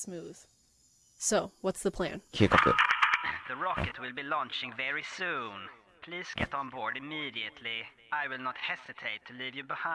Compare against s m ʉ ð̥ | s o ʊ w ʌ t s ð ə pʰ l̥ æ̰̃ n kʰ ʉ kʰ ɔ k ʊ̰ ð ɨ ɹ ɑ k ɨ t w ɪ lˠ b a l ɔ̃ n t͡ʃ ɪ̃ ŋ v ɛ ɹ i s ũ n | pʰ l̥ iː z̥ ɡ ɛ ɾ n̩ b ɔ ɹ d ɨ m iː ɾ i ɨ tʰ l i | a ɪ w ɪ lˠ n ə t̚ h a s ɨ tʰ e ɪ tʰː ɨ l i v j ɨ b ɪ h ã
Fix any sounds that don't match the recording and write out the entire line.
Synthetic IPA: s m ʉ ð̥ | s o ʊ w ʌ t s ð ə pʰ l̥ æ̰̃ n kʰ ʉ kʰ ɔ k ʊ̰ ð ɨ ɹ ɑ k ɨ t w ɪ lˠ b i l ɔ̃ n t͡ʃ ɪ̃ ŋ v ɛ ɹ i s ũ n | pʰ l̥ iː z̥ ɡ ɛ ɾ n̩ b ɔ ɹ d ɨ m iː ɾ i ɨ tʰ l i | a ɪ w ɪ lˠ n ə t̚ h ɛ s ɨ tʰ e ɪ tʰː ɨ l i v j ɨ b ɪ h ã